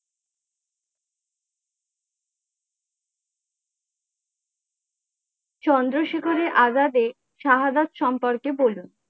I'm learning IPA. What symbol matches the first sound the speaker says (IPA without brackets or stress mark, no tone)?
t͡ɕ